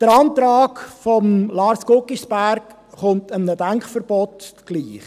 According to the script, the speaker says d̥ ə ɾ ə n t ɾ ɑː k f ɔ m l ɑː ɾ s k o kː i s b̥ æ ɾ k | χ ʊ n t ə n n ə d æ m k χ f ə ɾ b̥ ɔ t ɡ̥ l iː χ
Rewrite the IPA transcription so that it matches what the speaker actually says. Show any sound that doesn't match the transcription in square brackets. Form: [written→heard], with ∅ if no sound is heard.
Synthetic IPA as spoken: d̥ ə ɾ [ə→ɑ] n t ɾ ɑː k f ɔ m l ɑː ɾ s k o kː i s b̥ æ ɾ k | χ ʊ n t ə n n ə d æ [m→ŋ] k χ f ə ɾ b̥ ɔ t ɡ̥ l iː χ

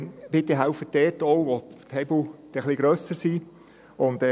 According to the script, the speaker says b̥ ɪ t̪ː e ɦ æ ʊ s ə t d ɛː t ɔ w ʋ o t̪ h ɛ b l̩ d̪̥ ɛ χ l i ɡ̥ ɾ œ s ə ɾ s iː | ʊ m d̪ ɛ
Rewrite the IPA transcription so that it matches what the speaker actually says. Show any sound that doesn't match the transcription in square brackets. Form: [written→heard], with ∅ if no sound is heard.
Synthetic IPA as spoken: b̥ ɪ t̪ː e ɦ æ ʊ [s→f] ə t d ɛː t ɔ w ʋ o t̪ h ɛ b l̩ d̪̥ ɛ χ l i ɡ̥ ɾ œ s ə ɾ s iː | ʊ [m→n] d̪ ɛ

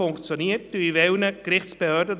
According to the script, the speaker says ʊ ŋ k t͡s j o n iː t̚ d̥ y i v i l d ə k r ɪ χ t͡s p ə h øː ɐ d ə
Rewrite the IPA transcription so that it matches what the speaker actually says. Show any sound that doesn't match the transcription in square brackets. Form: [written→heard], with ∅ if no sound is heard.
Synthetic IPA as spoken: ʊ ŋ k t͡s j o n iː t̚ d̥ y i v [i→ɛ] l [d→n] ə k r ɪ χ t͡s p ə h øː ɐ d ə

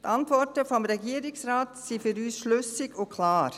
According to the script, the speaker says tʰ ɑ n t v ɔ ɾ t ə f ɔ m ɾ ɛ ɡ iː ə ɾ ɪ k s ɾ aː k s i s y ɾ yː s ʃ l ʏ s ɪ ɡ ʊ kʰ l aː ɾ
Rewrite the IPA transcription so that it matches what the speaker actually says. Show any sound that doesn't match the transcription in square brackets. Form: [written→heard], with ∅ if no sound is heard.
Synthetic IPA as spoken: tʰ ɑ n t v ɔ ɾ t ə f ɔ m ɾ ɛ ɡ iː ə ɾ ɪ k s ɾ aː [k→t] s i [s→f] y ɾ yː s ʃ l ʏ s ɪ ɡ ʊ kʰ l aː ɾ

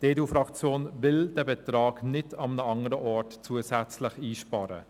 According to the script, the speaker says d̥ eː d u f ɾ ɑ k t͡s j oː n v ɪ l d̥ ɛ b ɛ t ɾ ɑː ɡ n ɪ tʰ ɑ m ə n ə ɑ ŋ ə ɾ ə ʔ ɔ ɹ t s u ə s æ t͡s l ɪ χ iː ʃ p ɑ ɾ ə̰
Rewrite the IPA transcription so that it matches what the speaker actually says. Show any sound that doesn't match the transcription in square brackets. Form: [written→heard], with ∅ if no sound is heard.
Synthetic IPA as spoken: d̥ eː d u f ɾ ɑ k t͡s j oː n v ɪ l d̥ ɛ b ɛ t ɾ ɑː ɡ n ɪ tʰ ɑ m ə n ə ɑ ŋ ə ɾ ə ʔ ɔ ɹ t [s→t͡s] u ə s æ t͡s l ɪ χ iː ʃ p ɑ ɾ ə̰

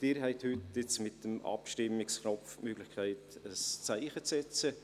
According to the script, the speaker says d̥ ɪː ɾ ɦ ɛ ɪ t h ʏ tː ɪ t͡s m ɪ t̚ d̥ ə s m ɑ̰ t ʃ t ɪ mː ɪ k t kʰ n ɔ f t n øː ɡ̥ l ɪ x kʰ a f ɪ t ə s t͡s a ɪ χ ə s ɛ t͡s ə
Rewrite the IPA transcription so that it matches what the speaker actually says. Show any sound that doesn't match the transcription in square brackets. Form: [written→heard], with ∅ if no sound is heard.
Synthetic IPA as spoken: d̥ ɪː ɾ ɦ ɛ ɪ t h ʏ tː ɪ t͡s m ɪ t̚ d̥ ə [s→∅] m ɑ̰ [t→p] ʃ t ɪ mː ɪ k [t→s] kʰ n ɔ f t [n→m] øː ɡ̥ l ɪ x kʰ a [f→∅] ɪ t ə s t͡s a ɪ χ ə [s→t͡s] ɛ t͡s ə

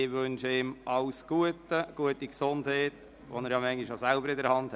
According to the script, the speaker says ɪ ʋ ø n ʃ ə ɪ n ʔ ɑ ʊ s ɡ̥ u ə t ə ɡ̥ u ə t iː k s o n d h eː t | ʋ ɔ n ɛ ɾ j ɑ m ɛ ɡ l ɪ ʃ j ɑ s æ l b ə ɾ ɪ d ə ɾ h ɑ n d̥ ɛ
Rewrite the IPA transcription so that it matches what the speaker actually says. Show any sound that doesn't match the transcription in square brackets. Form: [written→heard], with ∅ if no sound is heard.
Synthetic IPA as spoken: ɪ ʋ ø n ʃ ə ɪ [n→m] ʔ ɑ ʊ s ɡ̥ u ə t ə ɡ̥ u ə t [iː→i] k s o n d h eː t | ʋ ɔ n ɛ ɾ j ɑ m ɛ [ɡ→ŋ] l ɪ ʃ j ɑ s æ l b ə ɾ ɪ d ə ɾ h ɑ n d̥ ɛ

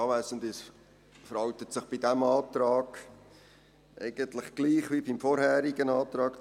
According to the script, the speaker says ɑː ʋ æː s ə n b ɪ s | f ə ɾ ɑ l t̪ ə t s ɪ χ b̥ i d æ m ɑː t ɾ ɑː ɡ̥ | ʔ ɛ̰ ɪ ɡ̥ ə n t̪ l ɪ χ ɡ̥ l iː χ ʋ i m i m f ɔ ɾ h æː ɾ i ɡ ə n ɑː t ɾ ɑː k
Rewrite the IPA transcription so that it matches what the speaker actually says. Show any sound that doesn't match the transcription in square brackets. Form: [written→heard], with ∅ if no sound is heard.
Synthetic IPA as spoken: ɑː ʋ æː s ə n [b→d] ɪ s | f ə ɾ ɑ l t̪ ə t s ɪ χ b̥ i d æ m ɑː t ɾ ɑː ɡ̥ | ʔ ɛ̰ ɪ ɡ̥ ə n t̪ l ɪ χ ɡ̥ l iː χ ʋ i [m→b] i m f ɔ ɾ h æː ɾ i ɡ ə n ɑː t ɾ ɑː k

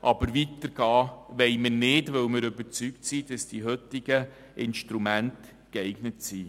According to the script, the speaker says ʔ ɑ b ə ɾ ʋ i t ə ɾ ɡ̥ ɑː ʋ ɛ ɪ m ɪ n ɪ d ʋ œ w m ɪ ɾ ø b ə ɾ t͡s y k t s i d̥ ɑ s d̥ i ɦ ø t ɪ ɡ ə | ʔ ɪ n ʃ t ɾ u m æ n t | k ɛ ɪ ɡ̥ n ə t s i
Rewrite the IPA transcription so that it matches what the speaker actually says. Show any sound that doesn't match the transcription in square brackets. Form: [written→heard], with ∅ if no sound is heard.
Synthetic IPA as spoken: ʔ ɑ b ə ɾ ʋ i t ə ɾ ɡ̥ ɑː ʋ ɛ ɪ m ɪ n ɪ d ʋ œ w m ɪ ɾ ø b ə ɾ t͡s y k t s i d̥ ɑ s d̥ i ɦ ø t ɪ ɡ ə | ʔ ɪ n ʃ t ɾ u m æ n t | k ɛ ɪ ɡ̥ n ə t s i

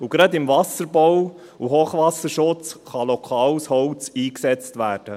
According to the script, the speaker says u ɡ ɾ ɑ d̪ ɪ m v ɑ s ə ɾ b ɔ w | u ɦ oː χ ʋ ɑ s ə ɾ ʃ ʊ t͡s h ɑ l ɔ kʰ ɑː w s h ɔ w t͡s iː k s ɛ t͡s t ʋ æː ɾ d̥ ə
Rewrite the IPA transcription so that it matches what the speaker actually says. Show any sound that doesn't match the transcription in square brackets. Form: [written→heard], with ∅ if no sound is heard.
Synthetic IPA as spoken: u ɡ ɾ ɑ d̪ ɪ m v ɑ s ə ɾ b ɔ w | u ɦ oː χ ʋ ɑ s ə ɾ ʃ ʊ t͡s [h→χ] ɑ l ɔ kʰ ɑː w s h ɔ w t͡s iː k s ɛ t͡s t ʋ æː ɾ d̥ ə

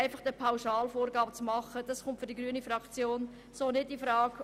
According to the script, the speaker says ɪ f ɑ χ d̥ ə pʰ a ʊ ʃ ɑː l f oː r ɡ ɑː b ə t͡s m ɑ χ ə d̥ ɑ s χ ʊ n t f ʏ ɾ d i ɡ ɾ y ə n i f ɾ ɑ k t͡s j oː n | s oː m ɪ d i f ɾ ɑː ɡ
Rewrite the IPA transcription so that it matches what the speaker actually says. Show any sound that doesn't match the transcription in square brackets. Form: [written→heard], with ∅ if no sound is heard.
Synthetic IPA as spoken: ɪ f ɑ χ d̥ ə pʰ a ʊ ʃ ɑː l f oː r ɡ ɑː b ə t͡s m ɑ χ ə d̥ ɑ s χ ʊ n t f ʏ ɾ d i ɡ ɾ y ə n i f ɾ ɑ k t͡s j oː n | s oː [m→n] ɪ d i f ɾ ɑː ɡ

